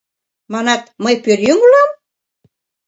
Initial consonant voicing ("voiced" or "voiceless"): voiced